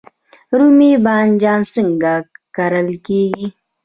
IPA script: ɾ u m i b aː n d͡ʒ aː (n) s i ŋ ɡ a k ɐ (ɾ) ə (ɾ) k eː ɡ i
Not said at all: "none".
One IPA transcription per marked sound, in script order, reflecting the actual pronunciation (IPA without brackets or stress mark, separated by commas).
n, ɾ, l